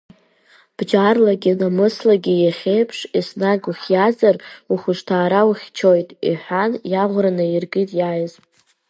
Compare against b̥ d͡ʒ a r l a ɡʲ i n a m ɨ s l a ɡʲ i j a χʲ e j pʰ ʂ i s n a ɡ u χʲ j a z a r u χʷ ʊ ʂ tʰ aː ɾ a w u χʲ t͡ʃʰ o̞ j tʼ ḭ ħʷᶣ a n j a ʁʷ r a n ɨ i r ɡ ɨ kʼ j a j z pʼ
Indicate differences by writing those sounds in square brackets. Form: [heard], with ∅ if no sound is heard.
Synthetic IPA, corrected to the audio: b̥ d͡ʒ a r l a ɡʲ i n a m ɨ s l a ɡʲ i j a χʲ e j pʰ ʂ i s n a ɡ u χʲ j a z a r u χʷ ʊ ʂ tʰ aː ɾ a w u χʲ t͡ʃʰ o̞ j tʼ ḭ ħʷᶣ a n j a ʁʷ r a n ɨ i r ɡ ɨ [tʼ] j a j z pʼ